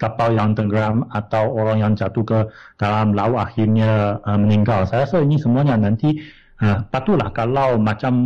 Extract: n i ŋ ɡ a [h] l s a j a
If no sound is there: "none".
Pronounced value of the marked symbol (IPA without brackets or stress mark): none